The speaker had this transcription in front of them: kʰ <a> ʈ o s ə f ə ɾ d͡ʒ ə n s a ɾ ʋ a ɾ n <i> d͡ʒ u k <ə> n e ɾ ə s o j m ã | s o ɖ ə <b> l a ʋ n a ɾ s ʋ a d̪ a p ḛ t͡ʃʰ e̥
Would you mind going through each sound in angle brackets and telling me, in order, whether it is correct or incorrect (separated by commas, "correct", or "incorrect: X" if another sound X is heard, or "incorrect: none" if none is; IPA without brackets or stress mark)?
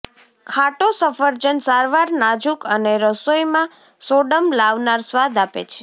correct, incorrect: a, correct, incorrect: m